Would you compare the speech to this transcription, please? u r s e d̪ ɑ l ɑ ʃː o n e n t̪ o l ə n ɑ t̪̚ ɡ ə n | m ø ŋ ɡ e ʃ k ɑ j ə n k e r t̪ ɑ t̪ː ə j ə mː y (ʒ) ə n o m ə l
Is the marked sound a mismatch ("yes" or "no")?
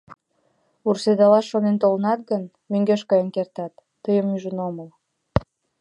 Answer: no